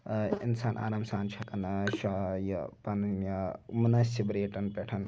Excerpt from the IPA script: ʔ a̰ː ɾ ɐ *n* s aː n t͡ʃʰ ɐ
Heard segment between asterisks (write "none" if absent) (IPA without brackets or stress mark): m